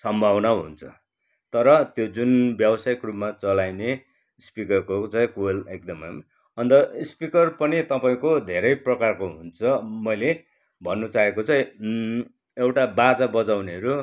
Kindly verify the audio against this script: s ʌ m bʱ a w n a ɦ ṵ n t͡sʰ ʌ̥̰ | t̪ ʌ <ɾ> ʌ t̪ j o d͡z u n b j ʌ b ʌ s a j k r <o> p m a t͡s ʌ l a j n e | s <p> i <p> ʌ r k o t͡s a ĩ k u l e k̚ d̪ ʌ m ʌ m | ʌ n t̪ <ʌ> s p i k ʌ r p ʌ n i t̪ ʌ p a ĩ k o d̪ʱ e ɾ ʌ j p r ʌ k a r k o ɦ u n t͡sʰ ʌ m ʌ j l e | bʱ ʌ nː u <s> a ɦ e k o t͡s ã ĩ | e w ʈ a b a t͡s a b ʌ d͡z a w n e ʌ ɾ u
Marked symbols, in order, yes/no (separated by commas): yes, no, yes, no, yes, no